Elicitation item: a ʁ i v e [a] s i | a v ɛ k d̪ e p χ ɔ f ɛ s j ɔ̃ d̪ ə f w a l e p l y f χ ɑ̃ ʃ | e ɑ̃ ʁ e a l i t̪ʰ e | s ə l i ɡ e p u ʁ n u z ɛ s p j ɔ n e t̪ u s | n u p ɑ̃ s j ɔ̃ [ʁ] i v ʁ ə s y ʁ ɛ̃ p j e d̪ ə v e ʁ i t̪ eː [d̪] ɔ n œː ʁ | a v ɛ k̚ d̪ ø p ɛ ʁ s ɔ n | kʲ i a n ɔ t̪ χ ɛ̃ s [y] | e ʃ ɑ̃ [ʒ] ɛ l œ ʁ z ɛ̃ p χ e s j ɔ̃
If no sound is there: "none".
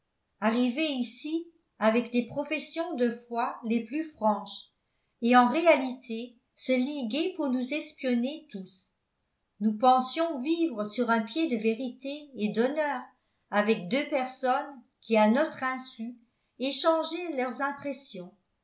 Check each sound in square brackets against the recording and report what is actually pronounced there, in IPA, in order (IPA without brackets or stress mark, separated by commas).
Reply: i, v, d̪, y, ʒ